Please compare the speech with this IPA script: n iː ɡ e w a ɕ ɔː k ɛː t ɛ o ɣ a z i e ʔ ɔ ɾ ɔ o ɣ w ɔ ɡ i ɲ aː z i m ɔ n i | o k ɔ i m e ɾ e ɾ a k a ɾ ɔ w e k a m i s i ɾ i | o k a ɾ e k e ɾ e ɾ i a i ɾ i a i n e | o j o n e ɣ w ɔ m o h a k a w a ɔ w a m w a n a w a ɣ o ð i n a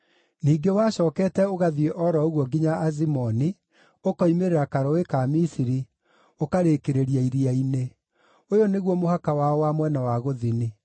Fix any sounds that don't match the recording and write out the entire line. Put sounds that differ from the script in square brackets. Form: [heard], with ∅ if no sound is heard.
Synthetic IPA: n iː ɡ e w a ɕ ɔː k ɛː t ɛ o ɣ a [ð] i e ʔ ɔ ɾ ɔ o ɣ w ɔ ɡ i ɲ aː z i m ɔ n i | o k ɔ i m e ɾ e ɾ a k a ɾ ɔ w e k a m i s i ɾ i | o k a ɾ e k e ɾ e ɾ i a i ɾ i a i n e | o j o n e ɣ w ɔ m o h a k a w a ɔ w a m w [ɛ] n a w a ɣ o ð i n [i]